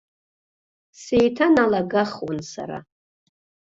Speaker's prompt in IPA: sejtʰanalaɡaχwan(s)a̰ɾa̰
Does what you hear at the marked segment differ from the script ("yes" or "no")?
no